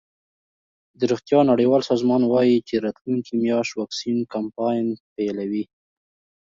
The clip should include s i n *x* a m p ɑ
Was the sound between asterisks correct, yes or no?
no